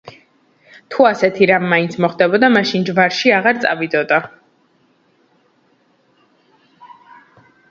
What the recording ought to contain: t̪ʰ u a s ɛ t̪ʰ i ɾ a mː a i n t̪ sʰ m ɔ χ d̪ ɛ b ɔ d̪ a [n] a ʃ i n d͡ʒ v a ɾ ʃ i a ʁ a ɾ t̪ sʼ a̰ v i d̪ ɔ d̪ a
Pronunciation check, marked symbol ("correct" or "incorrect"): incorrect